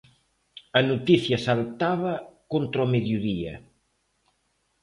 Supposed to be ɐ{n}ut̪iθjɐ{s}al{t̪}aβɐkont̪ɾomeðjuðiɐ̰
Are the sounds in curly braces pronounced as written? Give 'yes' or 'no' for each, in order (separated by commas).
yes, yes, yes